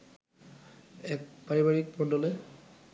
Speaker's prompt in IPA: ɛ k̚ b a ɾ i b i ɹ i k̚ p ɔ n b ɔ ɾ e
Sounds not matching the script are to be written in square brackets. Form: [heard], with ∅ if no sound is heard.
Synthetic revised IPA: ɛ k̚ [p] a [ɹ] i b [a] ɹ i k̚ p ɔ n [d] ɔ [l] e